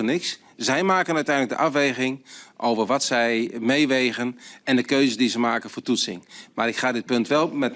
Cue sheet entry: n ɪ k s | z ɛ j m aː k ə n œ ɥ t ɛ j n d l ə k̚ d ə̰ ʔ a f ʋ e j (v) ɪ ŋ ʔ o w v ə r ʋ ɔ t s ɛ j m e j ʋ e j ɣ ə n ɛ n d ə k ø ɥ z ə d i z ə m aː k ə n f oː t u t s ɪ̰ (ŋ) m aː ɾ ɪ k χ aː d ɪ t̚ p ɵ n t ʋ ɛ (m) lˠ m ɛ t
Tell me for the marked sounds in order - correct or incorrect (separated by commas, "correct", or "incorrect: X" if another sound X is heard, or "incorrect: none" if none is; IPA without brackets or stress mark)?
incorrect: ɣ, correct, incorrect: none